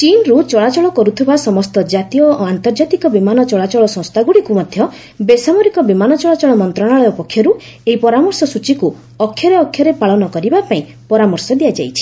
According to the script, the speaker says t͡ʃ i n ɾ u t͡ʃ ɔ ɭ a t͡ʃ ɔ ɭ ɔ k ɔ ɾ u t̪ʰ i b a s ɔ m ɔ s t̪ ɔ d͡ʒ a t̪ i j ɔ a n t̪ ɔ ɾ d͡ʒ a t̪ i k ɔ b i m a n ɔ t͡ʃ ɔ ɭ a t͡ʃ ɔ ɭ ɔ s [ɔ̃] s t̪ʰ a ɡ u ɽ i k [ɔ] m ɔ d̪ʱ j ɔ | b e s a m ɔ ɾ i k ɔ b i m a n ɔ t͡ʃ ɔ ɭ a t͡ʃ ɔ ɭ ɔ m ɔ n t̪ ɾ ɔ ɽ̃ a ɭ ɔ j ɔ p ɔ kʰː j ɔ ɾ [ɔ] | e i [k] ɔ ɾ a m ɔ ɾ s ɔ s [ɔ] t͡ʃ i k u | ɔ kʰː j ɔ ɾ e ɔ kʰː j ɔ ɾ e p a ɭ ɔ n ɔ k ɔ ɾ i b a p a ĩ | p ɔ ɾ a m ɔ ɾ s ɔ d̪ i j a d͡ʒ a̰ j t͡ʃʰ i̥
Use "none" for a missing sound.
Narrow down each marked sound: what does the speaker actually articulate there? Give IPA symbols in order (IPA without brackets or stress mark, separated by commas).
ɔ̃, u, u, p, u